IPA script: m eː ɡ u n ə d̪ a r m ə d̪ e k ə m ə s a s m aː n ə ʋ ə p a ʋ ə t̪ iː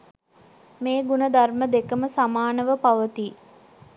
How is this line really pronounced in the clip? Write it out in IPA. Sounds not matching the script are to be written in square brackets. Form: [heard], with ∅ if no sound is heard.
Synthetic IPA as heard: m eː ɡ u n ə d̪ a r m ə d̪ e k ə m ə s a [∅] m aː n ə ʋ ə p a ʋ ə t̪ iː